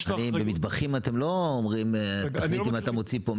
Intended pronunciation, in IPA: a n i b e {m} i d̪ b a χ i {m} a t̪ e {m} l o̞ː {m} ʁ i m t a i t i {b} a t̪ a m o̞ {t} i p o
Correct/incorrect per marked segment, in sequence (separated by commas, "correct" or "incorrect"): correct, correct, correct, correct, incorrect, incorrect